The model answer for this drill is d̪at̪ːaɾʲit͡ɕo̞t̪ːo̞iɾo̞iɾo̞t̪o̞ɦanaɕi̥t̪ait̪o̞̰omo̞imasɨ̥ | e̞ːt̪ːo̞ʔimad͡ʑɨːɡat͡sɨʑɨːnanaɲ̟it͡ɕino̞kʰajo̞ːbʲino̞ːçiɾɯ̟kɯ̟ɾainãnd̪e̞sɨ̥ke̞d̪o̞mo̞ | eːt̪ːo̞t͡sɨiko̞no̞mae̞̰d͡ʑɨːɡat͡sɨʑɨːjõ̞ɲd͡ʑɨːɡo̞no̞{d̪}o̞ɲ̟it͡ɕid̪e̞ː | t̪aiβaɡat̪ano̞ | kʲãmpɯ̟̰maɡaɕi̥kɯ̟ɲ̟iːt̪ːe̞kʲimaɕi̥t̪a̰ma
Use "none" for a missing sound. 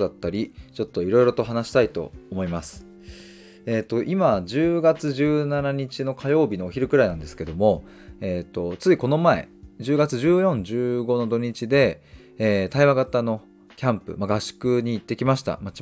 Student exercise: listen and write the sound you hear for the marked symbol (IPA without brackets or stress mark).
d̪